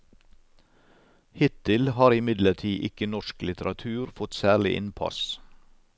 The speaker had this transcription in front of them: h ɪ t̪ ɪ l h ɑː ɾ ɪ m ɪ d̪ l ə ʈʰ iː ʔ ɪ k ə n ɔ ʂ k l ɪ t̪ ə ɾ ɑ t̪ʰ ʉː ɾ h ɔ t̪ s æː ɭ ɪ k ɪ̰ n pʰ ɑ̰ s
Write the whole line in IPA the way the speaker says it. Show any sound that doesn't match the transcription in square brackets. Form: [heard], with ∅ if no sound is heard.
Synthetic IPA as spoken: h ɪ t̪ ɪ l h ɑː ɾ ɪ m ɪ d̪ l ə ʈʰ iː ʔ ɪ k ə n ɔ [ʃ] k l ɪ t̪ ə ɾ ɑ t̪ʰ ʉː ɾ [f] ɔ t̪ s æː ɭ ɪ [ʔ] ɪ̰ n pʰ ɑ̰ s